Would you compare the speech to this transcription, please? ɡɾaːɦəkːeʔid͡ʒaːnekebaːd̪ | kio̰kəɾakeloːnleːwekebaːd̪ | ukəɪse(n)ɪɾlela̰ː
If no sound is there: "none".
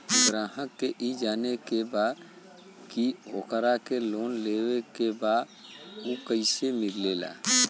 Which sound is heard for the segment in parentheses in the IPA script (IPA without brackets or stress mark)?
m